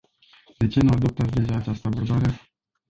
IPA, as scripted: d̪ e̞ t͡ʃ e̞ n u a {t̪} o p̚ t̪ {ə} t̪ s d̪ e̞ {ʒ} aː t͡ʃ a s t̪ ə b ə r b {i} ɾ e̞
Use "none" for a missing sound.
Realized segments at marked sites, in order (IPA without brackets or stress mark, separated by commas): d̪, a, ʒ, a